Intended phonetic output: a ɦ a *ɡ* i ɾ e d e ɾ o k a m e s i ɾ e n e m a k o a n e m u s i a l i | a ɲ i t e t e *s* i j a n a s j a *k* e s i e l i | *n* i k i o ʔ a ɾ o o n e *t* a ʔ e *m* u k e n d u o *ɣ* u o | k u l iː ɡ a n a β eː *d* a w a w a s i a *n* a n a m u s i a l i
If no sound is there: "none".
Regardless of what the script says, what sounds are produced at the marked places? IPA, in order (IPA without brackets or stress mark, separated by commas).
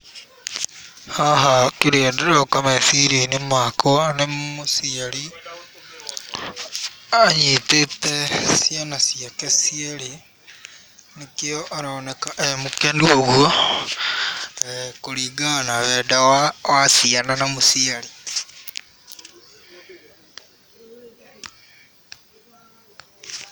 k, s, k, n, k, m, ɣ, d, n